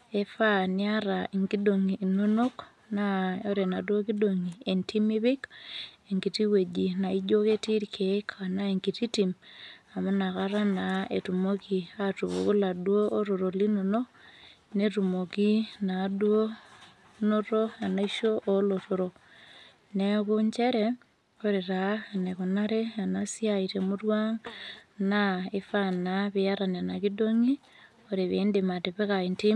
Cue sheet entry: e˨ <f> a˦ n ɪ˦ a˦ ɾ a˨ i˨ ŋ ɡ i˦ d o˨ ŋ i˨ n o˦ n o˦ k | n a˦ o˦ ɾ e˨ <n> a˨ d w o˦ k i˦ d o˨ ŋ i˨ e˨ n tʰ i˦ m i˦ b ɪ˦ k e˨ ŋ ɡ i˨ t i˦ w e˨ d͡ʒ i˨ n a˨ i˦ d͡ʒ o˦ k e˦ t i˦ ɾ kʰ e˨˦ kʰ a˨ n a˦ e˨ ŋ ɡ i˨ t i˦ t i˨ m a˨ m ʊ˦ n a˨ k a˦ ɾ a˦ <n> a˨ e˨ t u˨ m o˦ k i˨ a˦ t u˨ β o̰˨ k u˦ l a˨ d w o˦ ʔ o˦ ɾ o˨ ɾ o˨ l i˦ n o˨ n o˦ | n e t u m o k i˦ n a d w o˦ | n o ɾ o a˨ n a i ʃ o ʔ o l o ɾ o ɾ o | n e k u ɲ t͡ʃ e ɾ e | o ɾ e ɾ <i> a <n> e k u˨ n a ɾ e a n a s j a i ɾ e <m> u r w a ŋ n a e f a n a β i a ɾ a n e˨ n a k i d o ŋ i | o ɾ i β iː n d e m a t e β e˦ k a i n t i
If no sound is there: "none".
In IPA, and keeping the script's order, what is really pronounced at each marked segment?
f, n, n, a, n, m

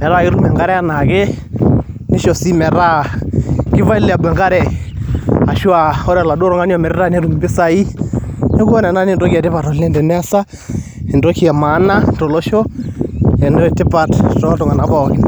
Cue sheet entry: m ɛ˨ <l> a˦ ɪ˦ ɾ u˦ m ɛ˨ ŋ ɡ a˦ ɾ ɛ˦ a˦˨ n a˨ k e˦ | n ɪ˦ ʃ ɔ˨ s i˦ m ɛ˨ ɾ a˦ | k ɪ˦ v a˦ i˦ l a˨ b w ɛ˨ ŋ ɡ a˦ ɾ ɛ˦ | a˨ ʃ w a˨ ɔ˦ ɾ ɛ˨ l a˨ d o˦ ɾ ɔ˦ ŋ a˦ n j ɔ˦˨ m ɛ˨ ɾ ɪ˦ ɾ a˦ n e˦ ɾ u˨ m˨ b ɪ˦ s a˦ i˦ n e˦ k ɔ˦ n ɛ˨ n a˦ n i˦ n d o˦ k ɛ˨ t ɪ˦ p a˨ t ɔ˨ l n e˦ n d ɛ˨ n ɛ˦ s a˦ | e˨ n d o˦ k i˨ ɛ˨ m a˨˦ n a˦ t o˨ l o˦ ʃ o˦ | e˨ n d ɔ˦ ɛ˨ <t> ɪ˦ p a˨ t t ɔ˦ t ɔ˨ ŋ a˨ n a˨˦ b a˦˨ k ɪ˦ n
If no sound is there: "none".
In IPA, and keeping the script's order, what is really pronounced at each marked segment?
ɾ, t

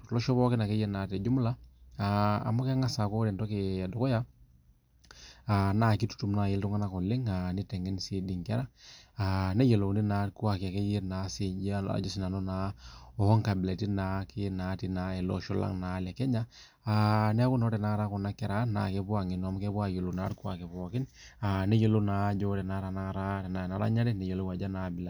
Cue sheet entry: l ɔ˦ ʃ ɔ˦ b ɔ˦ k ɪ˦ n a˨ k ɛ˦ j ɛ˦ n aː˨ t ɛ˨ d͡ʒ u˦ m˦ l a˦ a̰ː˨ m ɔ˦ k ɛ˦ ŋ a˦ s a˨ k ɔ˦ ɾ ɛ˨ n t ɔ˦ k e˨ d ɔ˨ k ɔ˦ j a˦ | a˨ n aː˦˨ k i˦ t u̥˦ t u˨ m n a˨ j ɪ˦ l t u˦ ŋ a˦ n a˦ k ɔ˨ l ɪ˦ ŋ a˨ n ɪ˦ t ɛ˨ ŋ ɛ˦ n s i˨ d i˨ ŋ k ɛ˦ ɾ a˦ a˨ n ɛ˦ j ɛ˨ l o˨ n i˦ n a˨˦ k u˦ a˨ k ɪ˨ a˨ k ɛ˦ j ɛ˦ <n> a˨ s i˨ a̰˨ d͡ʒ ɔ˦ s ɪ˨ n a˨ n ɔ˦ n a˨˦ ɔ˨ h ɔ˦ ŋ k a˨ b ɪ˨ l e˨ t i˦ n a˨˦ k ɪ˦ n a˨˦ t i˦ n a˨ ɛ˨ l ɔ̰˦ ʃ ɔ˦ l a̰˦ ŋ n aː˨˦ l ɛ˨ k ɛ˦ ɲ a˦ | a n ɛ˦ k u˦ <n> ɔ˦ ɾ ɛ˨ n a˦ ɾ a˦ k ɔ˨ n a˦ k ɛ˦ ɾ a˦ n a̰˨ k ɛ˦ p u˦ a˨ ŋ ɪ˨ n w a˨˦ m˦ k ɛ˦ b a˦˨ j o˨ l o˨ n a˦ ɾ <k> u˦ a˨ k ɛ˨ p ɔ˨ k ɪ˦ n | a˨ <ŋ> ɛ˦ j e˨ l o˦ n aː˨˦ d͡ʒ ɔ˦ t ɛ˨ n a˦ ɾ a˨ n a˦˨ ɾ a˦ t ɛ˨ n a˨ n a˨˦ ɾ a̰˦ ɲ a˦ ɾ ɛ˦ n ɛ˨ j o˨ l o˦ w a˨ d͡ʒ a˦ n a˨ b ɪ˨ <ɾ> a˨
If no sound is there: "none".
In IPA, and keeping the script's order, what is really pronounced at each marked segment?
n, n, k, n, l

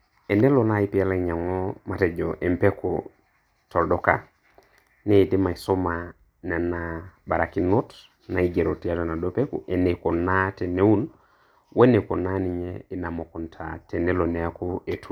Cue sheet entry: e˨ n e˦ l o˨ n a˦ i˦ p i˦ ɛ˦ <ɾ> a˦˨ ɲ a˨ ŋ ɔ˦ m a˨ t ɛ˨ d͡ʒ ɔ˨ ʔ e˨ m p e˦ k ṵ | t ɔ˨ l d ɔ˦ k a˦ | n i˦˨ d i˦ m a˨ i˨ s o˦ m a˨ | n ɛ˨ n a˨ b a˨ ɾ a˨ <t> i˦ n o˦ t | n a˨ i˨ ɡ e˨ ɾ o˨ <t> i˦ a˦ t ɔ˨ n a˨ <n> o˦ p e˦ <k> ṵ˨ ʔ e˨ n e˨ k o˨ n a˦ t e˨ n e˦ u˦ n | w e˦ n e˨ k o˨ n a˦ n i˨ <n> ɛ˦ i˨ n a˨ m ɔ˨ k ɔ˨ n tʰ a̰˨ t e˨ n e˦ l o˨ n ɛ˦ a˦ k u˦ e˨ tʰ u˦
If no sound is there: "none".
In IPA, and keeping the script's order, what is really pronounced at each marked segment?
l, k, t, d, k, ɲ

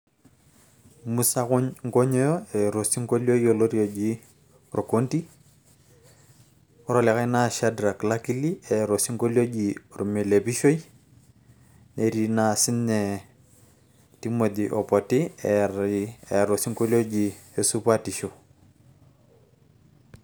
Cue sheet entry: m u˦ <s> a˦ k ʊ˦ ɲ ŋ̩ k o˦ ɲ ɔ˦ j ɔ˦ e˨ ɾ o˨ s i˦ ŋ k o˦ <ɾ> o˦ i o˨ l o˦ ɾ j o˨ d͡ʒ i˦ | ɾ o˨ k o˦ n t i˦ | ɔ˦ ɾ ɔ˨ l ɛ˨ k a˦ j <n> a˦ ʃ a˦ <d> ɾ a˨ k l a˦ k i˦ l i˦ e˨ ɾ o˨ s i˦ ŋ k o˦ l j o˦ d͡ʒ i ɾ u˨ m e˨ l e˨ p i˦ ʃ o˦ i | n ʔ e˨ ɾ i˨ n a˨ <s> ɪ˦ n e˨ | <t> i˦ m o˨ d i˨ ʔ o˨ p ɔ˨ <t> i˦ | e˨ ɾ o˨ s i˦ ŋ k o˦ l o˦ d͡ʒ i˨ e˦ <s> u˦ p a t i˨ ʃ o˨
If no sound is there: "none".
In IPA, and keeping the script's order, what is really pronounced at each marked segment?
s, l, n, d, s, t, t, s

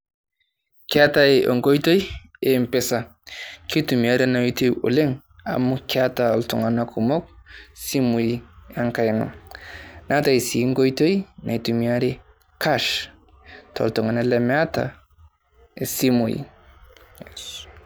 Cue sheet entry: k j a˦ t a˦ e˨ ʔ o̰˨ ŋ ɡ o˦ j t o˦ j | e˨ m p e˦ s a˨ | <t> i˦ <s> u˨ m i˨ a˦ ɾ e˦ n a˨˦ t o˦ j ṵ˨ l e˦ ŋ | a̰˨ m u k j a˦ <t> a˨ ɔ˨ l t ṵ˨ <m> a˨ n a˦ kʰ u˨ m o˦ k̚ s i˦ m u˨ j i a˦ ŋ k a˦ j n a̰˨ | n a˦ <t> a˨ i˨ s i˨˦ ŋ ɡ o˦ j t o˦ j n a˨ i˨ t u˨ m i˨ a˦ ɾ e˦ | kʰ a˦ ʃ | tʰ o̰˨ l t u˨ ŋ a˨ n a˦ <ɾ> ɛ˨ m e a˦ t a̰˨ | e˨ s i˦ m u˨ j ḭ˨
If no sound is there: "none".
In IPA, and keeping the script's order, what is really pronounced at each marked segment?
k, t, t, ŋ, t, l

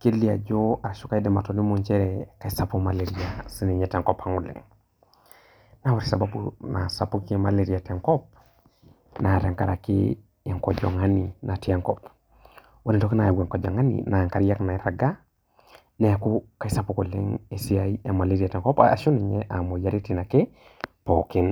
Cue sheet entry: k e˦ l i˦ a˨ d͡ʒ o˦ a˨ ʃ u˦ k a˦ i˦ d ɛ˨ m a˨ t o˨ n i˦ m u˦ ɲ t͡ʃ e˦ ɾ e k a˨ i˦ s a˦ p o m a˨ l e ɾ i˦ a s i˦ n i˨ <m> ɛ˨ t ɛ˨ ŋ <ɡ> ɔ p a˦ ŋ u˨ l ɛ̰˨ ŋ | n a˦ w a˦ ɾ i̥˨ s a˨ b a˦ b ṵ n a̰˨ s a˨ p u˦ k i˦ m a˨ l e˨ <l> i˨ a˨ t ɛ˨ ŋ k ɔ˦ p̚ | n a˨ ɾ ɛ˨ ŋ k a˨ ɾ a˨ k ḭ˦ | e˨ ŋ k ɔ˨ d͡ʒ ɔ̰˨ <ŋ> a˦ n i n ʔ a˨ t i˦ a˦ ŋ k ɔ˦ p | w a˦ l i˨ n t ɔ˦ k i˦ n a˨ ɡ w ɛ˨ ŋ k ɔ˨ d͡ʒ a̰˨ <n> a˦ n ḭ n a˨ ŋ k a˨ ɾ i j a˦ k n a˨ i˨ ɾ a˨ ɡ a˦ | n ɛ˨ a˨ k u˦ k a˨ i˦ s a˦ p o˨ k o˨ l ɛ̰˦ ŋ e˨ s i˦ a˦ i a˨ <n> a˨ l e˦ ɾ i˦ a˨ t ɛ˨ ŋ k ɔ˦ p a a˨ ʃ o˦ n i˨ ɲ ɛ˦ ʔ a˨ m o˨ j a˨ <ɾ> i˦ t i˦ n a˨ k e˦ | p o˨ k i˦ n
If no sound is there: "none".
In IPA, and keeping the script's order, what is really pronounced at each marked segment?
ɲ, k, ɾ, ŋ, ŋ, m, ɾ

